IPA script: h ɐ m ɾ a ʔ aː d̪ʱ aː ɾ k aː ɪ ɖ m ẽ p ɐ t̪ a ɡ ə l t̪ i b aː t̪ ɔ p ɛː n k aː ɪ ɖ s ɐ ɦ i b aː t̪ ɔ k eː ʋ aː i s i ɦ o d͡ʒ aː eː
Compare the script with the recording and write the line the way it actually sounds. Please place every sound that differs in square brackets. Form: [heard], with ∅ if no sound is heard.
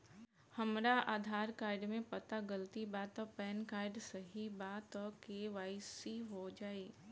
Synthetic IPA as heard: h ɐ m ɾ a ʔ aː d̪ʱ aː ɾ k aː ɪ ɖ m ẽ p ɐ t̪ a ɡ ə l t̪ i b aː t̪ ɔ p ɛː n k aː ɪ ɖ s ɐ ɦ i b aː t̪ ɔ k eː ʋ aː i s i ɦ o d͡ʒ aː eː